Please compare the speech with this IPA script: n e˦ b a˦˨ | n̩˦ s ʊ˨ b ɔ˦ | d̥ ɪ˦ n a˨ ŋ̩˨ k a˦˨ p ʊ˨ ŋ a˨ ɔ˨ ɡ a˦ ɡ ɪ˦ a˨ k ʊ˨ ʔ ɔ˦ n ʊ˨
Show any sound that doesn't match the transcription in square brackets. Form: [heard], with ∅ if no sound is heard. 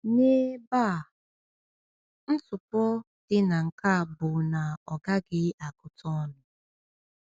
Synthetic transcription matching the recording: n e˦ b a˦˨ | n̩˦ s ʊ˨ [p] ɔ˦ | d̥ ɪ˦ n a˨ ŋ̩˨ k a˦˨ [b] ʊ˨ [n] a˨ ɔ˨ ɡ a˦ ɡ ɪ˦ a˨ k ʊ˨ [t] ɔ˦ n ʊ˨